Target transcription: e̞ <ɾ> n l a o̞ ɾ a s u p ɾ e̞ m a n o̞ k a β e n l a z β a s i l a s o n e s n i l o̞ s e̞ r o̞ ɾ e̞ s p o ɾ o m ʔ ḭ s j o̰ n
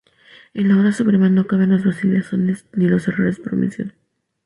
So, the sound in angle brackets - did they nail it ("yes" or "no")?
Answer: no